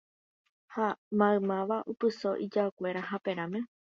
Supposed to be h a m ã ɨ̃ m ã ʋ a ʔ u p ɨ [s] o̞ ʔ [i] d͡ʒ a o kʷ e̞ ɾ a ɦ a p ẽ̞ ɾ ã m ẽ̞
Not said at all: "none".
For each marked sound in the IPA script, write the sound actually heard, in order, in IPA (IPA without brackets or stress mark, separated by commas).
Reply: s, i